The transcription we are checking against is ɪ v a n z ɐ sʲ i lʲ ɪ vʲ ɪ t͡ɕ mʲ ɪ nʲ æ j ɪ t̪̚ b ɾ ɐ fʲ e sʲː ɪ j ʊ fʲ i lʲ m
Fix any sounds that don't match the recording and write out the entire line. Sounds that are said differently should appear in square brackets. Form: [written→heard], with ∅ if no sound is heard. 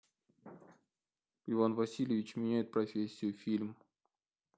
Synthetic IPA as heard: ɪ v a n [z→v] ɐ sʲ i lʲ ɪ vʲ ɪ t͡ɕ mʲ ɪ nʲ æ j ɪ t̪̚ [b→p] ɾ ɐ fʲ e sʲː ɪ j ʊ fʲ i lʲ m

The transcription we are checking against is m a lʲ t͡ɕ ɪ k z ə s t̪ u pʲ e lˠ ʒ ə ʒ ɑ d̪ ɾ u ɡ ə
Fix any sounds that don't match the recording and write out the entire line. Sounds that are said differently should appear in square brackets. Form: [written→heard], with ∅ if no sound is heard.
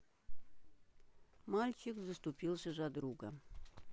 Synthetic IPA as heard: m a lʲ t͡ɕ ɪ k z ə s t̪ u pʲ [e→i] lˠ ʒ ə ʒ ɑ d̪ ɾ u ɡ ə

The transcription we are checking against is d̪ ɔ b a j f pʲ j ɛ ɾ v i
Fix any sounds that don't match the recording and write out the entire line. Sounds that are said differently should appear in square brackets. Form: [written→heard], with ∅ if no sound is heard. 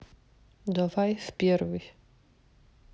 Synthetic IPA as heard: d̪ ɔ [b→v] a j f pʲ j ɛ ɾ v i

